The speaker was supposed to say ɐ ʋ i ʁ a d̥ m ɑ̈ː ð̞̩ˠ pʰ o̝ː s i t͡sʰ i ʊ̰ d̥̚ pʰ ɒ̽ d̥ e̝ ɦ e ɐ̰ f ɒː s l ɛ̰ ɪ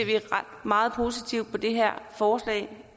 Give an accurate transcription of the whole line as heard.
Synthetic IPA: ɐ ʋ i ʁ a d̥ m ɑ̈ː ð̞̩ˠ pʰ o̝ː s i t͡sʰ i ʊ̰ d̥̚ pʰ ɒ̽ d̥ e̝ ɦ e ɐ̰ f ɒː s l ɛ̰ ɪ